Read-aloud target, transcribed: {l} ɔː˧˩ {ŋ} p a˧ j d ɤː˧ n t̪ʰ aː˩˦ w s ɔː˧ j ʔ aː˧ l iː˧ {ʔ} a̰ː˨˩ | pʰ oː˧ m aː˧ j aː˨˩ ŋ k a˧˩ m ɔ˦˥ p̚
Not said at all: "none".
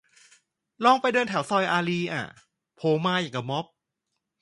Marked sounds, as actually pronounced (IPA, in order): l, ŋ, ʔ

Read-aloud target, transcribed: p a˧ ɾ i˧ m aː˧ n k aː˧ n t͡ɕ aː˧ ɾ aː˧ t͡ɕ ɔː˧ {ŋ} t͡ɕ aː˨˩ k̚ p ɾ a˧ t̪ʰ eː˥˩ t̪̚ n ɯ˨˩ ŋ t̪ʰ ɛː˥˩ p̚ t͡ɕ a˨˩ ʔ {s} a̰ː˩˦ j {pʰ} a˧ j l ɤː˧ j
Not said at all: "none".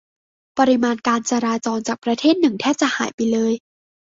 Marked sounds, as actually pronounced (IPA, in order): n, h, p

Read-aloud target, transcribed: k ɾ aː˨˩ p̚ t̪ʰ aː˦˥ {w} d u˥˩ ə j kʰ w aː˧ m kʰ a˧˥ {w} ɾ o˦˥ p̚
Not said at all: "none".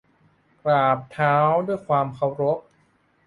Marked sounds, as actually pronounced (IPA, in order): w, w

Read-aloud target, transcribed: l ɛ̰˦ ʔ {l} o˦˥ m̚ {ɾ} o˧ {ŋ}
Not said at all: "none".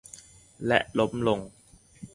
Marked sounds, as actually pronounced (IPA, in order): l, l, ŋ

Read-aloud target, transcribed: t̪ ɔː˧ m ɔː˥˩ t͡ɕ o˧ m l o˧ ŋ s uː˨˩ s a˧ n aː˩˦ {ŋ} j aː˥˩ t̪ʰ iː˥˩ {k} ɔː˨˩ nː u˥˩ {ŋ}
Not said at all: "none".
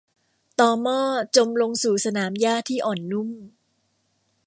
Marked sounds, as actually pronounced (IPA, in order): m, ʔ, m

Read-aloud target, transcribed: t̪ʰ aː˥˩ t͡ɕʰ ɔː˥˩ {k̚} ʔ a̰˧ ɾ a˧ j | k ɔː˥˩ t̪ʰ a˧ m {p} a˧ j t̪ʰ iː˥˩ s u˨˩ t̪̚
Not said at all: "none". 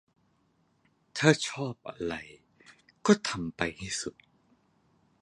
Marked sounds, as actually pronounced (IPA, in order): p̚, p

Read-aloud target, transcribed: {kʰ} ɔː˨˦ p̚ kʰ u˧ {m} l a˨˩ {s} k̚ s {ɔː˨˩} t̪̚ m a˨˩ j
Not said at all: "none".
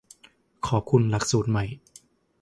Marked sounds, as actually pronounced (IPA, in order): kʰ, n, none, uː˨˩

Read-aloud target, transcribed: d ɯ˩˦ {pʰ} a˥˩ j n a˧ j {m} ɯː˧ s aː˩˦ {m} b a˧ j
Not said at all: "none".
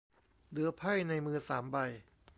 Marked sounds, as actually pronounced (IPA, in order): pʰ, m, m

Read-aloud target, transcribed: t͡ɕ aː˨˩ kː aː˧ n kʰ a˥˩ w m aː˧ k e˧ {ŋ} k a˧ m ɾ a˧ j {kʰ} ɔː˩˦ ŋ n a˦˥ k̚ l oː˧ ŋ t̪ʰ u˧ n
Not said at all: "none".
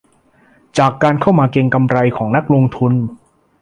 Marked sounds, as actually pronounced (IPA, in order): ŋ, kʰ

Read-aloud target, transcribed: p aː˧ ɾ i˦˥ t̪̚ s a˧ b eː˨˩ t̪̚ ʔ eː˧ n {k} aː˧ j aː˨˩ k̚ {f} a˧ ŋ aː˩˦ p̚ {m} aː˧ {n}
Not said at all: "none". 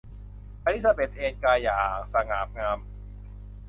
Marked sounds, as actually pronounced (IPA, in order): k, s, ŋ, m

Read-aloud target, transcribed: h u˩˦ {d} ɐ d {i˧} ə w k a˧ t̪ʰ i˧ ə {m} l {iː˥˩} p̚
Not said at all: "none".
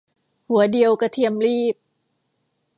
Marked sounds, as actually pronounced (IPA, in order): none, i˧, m, iː˥˩

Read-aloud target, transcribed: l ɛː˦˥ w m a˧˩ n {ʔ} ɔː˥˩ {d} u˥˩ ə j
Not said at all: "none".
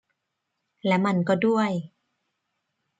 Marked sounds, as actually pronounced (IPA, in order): k, d

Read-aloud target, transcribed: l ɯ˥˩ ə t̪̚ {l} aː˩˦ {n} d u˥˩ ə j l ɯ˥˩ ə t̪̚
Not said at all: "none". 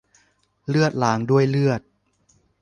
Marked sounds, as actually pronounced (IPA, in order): l, ŋ

